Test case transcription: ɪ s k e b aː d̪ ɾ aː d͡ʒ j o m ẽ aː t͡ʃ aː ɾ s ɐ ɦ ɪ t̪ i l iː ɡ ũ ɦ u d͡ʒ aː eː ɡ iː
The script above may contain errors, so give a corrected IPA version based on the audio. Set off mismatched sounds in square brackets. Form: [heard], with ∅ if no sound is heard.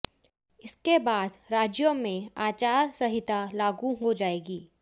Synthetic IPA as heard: ɪ s k e b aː d̪ ɾ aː d͡ʒ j o m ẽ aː t͡ʃ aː ɾ s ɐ ɦ ɪ t̪ [a] l [aː] ɡ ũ ɦ [o] d͡ʒ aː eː ɡ iː